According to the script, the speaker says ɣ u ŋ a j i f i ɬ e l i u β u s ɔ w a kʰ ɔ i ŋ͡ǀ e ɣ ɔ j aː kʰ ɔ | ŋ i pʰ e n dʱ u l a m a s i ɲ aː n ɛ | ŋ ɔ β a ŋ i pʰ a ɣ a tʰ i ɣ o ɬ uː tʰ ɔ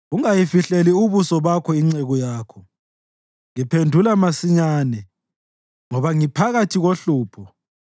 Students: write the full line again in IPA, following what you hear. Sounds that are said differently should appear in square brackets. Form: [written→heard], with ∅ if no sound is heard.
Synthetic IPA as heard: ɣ u ŋ a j i f i ɬ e l i u β u s ɔ [w→β] a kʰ ɔ i ŋ͡ǀ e ɣ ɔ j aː kʰ ɔ | ŋ i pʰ e n dʱ u l a m a s i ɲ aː n ɛ | ŋ ɔ β a ŋ i pʰ a ɣ a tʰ i ɣ o ɬ uː [tʰ→pʰ] ɔ

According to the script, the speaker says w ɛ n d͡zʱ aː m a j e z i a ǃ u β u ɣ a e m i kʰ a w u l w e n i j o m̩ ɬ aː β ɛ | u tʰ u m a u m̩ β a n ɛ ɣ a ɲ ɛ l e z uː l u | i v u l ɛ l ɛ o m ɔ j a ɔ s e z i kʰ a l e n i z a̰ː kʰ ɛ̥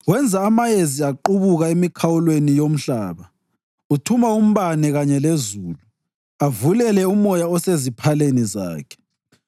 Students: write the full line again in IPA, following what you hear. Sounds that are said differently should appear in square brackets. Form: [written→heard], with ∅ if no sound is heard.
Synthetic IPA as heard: w ɛ n d͡zʱ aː m a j e z i a ǃ u β u ɣ a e m i kʰ a w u l w e n i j o m̩ ɬ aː β [ɛ→a] | u tʰ u m a u m̩ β a n ɛ ɣ a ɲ ɛ l e z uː l u | [i→a] v u l ɛ l ɛ [o→u] m ɔ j a ɔ s e z i [kʰ→pʰ] a l e n i z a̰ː kʰ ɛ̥

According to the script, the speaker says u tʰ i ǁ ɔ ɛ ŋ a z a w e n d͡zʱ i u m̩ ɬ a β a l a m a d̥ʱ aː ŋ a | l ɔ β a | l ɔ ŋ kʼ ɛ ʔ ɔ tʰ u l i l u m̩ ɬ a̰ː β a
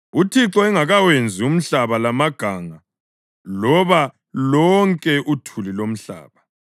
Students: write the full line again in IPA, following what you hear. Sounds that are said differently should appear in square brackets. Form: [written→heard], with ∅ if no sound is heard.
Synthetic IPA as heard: u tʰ i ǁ ɔ ɛ ŋ a [z→ɣ] a w e n d͡zʱ i u m̩ ɬ a β a l a m a [d̥ʱ→ɡ̥ʱ] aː ŋ a | l ɔ β a | l ɔ ŋ kʼ ɛ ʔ [ɔ→u] tʰ u l i l [u→o] m̩ ɬ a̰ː β a

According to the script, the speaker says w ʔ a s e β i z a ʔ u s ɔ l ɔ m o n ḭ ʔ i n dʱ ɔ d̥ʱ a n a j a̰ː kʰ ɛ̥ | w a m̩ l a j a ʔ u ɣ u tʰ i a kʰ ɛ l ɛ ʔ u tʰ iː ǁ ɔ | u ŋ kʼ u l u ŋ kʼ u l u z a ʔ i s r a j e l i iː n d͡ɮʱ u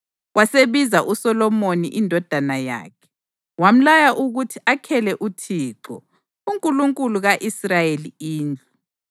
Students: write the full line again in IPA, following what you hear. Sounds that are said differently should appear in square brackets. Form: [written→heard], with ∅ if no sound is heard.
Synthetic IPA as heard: w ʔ a s e β i z a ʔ u s ɔ l ɔ m o n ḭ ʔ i n dʱ ɔ d̥ʱ a n a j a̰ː kʰ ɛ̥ | w a m̩ l a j a ʔ u ɣ u tʰ i a kʰ ɛ l ɛ ʔ u tʰ iː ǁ ɔ | u ŋ kʼ u l u ŋ kʼ u l u [z→ɣ] a ʔ i s r a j e l i iː n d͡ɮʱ u

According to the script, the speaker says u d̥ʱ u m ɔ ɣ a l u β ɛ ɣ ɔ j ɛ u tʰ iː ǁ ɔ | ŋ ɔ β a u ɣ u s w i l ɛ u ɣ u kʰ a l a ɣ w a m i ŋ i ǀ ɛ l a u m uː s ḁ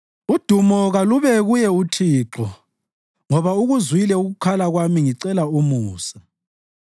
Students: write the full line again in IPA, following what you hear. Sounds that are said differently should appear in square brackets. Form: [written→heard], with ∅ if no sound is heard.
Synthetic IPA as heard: u d̥ʱ u m ɔ ɣ a l u β ɛ ɣ [ɔ→u] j ɛ u tʰ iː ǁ ɔ | ŋ ɔ β a u ɣ u [s→z] w i l ɛ u ɣ u kʰ a l a ɣ w a m i ŋ i ǀ ɛ l a u m uː s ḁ

